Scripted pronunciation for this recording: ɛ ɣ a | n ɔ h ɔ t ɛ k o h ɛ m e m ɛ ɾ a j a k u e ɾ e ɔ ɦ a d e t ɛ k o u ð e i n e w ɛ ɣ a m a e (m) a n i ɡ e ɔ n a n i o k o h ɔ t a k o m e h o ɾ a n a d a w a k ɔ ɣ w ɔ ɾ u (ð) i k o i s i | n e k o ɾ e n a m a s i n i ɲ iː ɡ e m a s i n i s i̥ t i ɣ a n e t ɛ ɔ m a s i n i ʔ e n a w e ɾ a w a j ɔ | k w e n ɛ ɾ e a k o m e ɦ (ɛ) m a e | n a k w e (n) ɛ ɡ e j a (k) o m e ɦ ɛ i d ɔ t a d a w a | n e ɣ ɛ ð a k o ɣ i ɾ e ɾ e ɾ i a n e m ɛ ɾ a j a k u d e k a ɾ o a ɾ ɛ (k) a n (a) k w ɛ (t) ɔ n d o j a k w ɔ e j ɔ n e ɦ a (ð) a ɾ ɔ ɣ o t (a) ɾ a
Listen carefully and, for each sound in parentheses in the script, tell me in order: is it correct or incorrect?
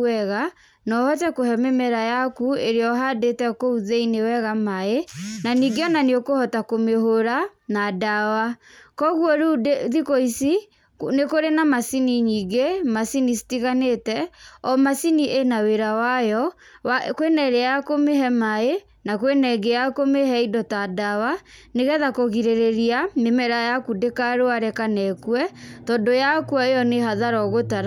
incorrect, correct, correct, correct, correct, correct, incorrect, correct, correct, correct

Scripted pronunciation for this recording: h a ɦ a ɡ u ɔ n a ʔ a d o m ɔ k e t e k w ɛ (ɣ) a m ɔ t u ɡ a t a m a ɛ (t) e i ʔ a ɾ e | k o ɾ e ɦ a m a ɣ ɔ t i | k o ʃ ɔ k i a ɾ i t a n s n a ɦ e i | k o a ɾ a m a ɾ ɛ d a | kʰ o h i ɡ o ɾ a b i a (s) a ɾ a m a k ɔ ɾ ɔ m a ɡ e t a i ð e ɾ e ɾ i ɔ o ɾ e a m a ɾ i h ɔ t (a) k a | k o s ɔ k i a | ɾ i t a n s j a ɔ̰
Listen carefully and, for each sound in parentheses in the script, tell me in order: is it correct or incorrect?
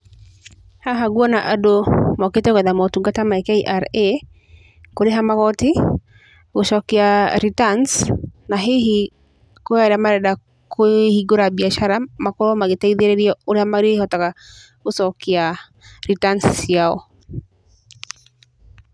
incorrect, incorrect, incorrect, correct

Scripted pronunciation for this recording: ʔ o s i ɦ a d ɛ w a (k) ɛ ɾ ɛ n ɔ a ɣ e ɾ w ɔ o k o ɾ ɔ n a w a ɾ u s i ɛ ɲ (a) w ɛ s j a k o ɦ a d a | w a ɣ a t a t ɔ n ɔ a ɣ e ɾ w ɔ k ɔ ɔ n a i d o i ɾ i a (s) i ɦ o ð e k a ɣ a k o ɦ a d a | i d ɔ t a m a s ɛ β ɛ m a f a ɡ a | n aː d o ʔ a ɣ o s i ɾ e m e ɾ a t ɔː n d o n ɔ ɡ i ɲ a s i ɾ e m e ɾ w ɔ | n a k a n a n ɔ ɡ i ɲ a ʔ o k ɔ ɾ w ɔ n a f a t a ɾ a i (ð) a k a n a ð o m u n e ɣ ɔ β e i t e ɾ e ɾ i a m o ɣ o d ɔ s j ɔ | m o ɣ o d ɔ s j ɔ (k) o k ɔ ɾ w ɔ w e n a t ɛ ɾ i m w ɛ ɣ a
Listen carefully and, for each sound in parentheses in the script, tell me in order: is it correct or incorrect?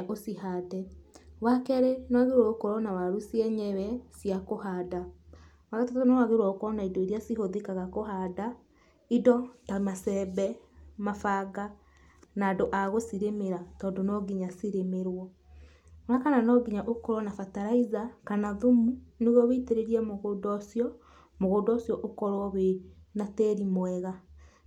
correct, incorrect, correct, incorrect, incorrect

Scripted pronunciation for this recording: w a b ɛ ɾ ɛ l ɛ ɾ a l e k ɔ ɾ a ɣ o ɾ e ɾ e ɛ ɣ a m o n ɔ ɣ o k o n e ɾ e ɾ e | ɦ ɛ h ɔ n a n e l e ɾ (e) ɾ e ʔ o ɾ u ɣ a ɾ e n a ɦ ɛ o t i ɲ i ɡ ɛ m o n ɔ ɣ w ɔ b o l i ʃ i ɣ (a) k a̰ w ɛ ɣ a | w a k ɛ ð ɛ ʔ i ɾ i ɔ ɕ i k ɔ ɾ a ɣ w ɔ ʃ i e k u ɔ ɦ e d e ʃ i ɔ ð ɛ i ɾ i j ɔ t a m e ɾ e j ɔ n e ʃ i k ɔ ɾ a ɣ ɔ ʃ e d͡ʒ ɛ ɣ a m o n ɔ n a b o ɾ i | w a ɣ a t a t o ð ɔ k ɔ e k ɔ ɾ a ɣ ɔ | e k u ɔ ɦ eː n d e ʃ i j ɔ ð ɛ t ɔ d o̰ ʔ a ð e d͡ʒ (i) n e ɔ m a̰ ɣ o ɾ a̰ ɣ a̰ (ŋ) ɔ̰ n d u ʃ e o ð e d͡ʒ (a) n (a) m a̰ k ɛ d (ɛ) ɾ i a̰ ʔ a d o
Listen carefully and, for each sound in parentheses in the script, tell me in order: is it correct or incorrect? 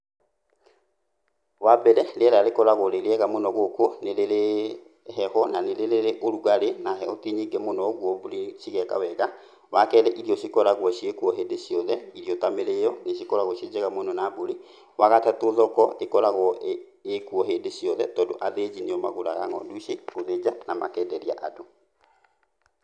correct, incorrect, correct, correct, correct, correct, correct

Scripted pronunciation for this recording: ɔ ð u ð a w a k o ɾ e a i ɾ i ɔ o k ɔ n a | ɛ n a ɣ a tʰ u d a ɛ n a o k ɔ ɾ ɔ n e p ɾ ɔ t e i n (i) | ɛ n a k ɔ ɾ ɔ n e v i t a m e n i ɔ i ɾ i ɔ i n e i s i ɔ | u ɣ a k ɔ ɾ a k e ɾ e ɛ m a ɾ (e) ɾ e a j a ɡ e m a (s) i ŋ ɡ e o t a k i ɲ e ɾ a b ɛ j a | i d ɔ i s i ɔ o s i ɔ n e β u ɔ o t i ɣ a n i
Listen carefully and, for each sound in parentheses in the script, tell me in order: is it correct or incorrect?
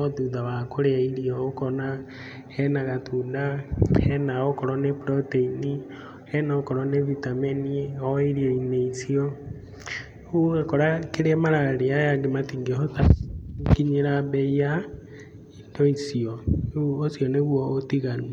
correct, incorrect, incorrect

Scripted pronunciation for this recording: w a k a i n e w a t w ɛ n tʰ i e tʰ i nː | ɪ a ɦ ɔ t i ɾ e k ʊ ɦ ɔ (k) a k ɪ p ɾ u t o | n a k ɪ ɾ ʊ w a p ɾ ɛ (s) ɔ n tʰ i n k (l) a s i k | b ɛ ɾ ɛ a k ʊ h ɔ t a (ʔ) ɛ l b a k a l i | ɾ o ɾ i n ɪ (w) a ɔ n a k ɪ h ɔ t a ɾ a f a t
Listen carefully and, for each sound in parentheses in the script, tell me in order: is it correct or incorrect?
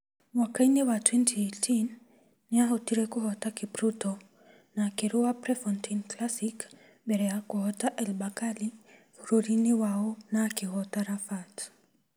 incorrect, incorrect, correct, correct, correct

